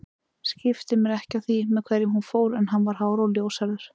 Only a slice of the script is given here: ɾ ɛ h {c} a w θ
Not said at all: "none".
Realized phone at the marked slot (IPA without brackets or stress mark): c